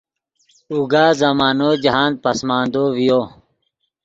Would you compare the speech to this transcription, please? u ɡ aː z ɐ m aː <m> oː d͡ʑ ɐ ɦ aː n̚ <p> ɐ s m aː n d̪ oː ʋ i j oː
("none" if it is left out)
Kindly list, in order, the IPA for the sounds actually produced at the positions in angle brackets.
n, p

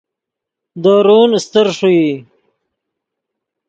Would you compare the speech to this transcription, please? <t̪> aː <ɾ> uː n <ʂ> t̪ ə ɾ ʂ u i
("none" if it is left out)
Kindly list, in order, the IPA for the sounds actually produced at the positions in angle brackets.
d̪, ɾ, s

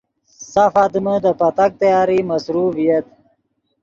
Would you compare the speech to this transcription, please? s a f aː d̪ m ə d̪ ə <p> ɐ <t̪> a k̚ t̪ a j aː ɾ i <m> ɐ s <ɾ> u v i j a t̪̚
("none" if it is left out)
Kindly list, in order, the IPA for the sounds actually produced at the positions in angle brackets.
p, t̪, m, ɾ

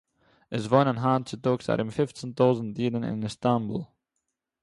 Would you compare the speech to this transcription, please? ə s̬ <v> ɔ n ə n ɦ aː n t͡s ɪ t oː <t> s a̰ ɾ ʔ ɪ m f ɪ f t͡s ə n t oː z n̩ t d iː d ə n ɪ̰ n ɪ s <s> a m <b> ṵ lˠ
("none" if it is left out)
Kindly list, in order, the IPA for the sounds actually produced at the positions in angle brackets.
v, k, t, b

